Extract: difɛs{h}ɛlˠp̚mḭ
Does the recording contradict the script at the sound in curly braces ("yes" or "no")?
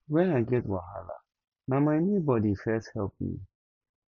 no